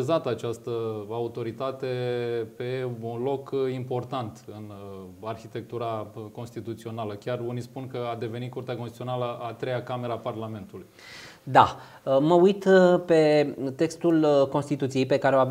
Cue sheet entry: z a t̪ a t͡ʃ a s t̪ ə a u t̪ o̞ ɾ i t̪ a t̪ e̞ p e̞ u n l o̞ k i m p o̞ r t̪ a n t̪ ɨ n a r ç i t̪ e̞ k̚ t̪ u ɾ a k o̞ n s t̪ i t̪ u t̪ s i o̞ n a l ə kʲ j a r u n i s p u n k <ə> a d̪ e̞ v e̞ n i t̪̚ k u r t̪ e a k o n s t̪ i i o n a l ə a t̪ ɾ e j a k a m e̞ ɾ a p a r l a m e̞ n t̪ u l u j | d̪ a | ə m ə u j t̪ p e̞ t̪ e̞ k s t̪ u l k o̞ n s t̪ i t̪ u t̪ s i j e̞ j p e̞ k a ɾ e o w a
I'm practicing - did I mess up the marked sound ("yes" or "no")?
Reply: no